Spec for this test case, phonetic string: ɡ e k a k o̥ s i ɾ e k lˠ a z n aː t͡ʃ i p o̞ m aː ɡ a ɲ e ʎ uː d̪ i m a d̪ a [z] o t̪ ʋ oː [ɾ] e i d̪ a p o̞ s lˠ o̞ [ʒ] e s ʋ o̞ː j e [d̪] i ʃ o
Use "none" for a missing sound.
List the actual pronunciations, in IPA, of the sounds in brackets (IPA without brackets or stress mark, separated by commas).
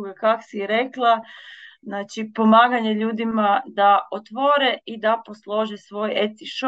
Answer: none, ɾ, ʒ, t̪